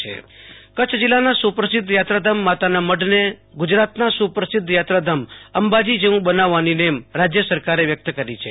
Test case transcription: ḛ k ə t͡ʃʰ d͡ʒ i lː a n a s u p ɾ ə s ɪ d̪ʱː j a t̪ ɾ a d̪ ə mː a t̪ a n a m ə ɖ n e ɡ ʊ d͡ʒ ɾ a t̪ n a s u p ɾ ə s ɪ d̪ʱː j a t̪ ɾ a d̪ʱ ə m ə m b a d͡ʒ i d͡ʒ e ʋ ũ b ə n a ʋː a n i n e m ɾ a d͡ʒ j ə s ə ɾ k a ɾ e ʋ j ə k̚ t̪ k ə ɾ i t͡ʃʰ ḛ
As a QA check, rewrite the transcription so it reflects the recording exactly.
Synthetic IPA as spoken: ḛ k ə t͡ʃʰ d͡ʒ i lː a n a s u p ɾ ə s ɪ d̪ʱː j a t̪ ɾ a d̪ ə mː a t̪ a n a m ə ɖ n e ɡ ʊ d͡ʒ ɾ a t̪ n a s u p ɾ ə s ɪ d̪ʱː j a t̪ ɾ a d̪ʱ ə m ə m b a d͡ʒ i d͡ʒ e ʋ ũ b ə n a ʋː a n i n e m ɾ a d͡ʒ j ə s ə ɾ k a ɾ e ʋ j ə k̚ t̪ k ə ɾ i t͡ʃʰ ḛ